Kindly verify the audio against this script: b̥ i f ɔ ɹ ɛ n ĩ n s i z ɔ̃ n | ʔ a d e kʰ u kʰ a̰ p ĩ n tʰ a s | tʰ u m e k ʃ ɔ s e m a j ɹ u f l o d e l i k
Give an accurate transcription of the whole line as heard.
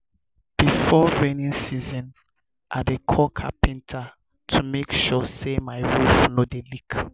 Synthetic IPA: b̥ i f ɔ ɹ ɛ n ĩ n s i z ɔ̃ n | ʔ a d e kʰ ɔ kʰ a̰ p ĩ n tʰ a | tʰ u m e k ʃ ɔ s e m a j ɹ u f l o d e l i k